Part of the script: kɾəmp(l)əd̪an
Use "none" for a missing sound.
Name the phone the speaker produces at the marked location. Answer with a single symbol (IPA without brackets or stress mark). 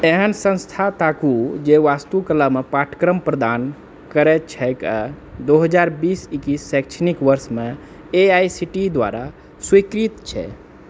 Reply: ɾ